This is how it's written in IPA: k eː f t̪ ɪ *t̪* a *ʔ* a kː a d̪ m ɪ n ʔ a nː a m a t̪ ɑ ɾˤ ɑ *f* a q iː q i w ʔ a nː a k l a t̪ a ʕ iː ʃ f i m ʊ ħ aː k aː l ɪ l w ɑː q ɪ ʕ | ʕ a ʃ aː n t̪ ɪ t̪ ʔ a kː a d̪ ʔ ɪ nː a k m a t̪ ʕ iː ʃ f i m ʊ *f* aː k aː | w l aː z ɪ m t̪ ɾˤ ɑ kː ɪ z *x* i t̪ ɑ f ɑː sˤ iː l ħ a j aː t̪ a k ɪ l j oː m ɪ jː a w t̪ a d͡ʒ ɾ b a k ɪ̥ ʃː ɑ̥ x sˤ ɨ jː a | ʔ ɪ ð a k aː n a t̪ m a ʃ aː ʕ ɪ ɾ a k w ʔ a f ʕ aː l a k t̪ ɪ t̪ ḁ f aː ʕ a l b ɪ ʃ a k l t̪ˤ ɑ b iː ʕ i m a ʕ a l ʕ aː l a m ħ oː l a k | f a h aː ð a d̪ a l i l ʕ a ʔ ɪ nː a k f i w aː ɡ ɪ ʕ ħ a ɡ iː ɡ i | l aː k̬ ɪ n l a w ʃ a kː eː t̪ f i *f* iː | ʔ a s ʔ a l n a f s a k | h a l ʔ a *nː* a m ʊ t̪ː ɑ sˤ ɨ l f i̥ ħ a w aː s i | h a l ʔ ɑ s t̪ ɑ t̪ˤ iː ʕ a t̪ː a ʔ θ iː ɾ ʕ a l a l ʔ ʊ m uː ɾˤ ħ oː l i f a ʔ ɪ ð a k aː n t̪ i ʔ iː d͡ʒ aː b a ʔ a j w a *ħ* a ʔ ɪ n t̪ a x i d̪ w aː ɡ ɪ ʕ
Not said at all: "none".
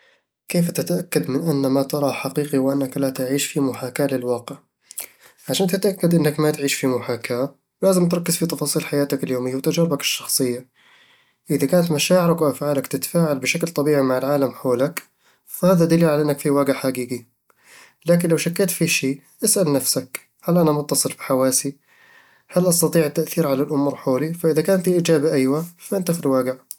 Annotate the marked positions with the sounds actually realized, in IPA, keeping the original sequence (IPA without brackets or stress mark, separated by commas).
t̪, ʔ, ħ, ħ, f, ʃ, n, f